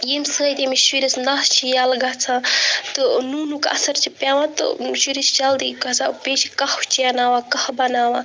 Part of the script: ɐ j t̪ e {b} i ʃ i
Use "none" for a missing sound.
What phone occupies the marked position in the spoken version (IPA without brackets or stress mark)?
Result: m